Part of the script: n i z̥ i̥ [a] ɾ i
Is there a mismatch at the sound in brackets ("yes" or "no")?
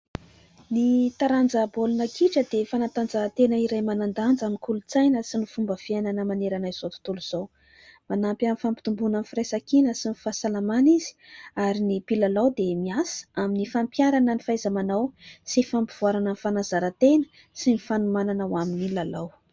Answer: no